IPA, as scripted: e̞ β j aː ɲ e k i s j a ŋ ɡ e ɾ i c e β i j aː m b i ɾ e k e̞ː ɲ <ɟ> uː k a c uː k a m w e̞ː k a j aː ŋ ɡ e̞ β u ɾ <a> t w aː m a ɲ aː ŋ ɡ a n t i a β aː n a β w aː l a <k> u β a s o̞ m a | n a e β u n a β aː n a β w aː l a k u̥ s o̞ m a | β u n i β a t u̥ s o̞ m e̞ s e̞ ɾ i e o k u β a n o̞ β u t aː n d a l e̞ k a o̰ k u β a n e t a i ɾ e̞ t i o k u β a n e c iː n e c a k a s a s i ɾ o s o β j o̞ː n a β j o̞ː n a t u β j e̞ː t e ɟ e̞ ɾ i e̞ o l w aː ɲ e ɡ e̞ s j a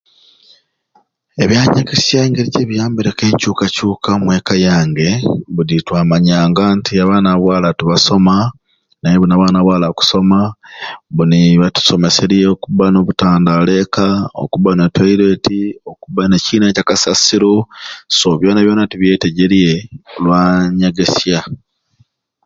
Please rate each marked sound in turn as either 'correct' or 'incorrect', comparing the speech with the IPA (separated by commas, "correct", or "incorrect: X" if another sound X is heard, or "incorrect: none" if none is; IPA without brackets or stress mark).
incorrect: c, incorrect: i, incorrect: t